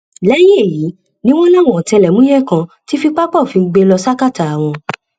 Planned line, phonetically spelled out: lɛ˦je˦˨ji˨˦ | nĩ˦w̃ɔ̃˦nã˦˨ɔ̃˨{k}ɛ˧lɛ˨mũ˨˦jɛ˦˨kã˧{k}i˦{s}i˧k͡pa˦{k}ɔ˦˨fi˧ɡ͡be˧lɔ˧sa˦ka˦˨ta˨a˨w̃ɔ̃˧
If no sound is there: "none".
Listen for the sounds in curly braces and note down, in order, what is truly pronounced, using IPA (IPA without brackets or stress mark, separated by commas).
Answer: t, t, f, k͡p